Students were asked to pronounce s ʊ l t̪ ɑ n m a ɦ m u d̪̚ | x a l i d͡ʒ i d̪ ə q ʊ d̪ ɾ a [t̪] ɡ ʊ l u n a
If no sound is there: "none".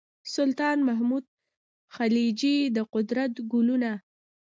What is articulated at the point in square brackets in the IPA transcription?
t̪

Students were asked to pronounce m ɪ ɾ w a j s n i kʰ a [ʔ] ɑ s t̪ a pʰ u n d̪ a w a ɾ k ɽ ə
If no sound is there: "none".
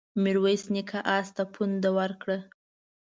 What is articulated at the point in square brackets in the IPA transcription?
ʔ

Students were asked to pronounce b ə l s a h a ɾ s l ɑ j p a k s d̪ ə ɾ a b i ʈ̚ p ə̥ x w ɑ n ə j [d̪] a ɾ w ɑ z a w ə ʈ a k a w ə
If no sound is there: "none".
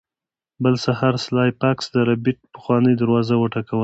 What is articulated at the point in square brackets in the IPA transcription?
d̪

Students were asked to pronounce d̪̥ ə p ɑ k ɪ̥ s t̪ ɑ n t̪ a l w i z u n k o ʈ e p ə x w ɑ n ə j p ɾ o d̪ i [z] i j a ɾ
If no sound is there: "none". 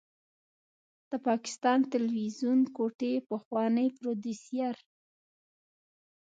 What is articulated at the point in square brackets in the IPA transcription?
s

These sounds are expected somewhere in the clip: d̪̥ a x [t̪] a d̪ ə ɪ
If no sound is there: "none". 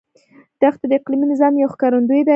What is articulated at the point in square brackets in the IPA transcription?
t̪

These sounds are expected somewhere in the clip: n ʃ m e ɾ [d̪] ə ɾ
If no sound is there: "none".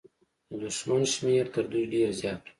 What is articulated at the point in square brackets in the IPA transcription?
t̪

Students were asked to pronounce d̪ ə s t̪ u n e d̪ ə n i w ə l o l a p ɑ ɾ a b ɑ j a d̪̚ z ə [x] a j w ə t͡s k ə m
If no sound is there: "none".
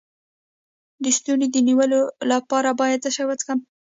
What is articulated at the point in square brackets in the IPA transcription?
ʃ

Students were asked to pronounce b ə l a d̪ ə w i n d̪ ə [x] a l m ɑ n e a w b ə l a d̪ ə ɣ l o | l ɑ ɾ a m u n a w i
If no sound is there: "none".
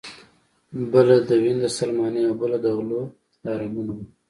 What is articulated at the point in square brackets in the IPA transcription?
s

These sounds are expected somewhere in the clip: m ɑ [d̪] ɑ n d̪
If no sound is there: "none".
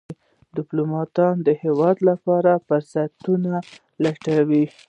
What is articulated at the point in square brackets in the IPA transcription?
t̪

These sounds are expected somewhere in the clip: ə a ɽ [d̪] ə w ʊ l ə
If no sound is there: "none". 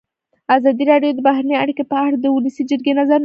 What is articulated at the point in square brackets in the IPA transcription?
d̪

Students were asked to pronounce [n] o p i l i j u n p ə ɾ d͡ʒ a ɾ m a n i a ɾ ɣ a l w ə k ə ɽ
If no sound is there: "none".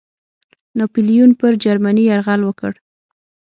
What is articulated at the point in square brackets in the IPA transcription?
n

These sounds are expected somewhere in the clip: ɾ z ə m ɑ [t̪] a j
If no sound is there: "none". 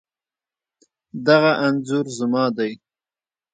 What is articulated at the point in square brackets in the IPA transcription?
d̪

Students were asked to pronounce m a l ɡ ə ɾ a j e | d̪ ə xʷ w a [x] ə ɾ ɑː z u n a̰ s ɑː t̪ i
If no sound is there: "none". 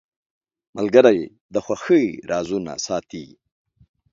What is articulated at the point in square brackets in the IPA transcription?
x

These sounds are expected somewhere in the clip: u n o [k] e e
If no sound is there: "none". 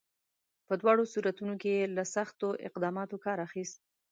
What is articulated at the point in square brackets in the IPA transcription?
k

